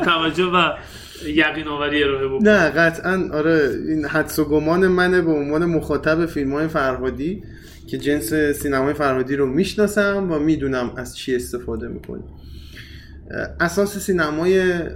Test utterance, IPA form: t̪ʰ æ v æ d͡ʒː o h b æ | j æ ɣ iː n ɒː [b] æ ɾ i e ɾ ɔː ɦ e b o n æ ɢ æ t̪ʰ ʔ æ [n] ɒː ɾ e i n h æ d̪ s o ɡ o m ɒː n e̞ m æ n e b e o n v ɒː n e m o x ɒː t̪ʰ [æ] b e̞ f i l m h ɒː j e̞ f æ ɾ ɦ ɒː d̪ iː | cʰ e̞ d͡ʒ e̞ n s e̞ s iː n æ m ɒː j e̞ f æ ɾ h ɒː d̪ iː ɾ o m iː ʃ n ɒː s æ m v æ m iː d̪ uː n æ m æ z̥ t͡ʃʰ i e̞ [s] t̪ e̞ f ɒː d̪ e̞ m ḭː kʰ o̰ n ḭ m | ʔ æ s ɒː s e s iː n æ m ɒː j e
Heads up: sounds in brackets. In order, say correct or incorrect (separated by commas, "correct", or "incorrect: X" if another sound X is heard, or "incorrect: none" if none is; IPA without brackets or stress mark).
incorrect: v, correct, correct, correct